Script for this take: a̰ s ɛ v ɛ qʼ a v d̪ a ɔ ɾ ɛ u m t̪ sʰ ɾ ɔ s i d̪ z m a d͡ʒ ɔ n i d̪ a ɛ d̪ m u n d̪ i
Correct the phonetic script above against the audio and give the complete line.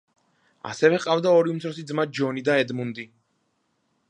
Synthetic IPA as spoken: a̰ s ɛ v ɛ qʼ a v d̪ a ɔ ɾ i u m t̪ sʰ ɾ ɔ s i d̪ z m a d͡ʒ ɔ n i d̪ a ɛ d̪ m u n d̪ i